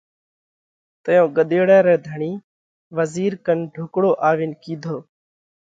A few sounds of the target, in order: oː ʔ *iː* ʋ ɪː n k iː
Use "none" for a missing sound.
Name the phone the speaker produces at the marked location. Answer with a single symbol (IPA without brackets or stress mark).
aː